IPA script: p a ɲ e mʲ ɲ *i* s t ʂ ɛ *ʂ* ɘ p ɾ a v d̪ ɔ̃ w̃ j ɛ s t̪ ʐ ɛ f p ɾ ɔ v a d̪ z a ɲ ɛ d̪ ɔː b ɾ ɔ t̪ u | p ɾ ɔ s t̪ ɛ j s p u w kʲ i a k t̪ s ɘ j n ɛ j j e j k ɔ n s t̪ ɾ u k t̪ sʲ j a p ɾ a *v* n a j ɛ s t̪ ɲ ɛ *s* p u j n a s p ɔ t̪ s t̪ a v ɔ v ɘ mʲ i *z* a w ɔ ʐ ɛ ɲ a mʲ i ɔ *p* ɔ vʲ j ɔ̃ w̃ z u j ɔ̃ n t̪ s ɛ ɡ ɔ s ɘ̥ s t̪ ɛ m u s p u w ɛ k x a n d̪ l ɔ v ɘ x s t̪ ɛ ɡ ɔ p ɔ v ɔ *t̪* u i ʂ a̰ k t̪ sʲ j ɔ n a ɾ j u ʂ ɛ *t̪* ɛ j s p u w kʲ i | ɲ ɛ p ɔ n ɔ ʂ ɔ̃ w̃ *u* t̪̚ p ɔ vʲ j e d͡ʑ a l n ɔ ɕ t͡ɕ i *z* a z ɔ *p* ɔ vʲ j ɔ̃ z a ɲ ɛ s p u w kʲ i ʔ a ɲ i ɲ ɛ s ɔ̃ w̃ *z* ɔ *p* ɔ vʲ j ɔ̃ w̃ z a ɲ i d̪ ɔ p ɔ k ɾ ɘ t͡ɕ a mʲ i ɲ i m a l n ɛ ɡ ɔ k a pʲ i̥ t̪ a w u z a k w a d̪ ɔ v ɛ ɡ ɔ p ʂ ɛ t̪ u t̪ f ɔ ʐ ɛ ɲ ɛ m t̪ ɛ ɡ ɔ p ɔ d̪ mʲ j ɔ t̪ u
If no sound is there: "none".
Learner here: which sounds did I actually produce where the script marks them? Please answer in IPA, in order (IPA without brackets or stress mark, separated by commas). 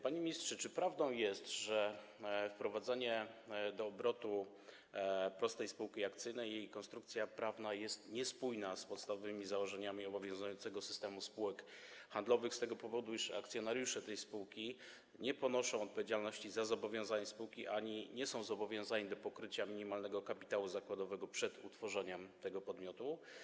i, t͡ʂ, v, s, z, b, d̪, t̪, ɔ, z, b, z, b